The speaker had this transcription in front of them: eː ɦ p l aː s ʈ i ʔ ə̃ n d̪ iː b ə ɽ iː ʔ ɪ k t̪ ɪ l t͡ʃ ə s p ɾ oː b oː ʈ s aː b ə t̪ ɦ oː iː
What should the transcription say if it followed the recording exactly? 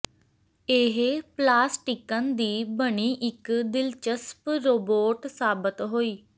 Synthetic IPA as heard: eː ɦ p l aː s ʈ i k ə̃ n d̪ iː b ə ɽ iː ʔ ɪ k d̪ ɪ l t͡ʃ ə s p ɾ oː b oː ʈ s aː b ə t̪ ɦ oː iː